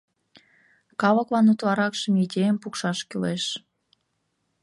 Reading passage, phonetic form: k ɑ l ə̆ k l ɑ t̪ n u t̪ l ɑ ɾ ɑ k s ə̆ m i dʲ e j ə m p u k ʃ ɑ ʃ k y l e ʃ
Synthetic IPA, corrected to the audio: k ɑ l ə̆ k l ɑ n u t̪ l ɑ ɾ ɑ k ʃ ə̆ m i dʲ e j ə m p u k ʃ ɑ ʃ k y l e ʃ